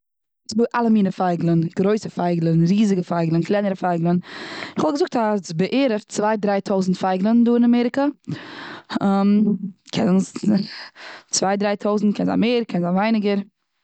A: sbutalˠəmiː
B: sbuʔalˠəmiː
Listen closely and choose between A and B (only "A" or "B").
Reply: B